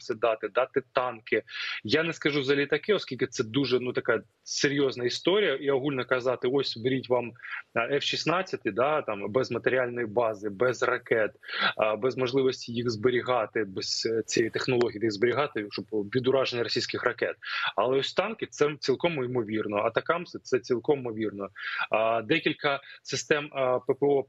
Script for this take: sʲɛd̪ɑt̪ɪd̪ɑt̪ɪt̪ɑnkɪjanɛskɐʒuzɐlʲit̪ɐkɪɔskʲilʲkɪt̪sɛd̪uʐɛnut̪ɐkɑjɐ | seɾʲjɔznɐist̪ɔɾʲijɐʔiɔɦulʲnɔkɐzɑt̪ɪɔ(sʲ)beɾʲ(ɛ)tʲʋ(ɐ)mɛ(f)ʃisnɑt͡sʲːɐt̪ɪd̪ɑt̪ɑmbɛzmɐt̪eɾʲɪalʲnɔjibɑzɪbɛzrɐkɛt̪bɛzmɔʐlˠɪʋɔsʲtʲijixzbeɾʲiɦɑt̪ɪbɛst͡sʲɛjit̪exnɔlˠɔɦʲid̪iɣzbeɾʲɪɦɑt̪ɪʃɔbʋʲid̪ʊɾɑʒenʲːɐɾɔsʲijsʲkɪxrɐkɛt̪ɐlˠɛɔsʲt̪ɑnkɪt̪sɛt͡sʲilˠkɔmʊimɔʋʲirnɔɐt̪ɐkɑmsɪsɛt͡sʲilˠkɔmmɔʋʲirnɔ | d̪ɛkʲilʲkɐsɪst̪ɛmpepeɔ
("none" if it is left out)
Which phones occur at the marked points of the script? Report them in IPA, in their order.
sʲ, i, ɑ, f

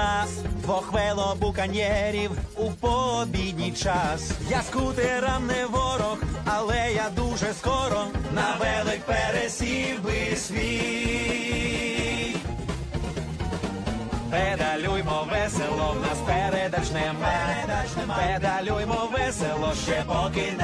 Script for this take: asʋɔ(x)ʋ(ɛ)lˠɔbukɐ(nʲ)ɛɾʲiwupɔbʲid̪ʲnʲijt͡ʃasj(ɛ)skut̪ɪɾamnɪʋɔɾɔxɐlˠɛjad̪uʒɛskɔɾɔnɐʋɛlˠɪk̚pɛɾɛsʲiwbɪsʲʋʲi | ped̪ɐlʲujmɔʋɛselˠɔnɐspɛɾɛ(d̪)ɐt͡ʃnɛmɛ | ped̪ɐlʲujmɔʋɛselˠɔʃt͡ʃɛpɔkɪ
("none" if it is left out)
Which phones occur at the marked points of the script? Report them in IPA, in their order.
x, ɛ, nʲ, a, d̪

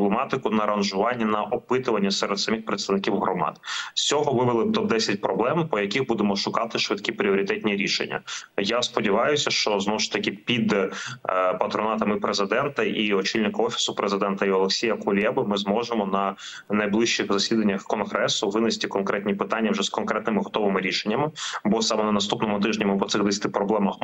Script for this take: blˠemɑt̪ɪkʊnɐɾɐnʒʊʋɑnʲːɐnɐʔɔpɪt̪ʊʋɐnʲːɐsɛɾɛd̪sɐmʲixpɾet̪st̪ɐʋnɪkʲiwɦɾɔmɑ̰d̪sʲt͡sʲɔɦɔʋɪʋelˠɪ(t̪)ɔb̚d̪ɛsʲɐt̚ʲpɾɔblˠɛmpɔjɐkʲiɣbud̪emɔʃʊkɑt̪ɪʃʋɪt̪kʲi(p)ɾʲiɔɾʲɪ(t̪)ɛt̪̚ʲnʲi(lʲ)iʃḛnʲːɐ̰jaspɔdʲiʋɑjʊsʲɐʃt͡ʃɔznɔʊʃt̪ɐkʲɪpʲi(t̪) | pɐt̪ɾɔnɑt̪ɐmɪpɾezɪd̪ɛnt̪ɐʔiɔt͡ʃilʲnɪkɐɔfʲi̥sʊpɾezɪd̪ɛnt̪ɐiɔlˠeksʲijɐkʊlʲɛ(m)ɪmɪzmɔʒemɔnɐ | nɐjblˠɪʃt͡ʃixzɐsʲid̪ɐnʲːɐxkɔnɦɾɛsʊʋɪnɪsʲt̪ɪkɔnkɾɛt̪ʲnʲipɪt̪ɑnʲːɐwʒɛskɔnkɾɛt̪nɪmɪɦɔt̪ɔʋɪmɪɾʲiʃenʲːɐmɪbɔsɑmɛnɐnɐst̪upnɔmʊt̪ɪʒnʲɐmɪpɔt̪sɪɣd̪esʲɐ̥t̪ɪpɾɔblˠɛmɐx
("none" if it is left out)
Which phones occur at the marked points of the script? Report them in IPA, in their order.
t̪, p, t̪, ɾʲ, d̪, b

